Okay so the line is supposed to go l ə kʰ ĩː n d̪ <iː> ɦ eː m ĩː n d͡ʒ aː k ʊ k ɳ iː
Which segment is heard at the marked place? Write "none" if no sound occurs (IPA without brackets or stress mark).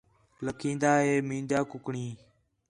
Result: aː